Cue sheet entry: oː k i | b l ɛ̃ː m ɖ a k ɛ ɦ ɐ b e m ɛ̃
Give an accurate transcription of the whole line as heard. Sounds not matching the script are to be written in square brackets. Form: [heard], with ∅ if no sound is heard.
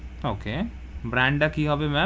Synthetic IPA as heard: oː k [e] | b [ɾ] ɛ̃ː [ɳ] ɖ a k [i] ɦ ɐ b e m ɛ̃